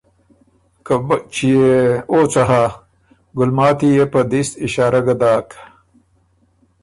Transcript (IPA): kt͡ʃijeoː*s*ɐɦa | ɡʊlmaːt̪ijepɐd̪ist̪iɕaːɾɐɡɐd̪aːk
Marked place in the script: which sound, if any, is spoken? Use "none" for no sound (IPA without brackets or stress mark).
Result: t͡s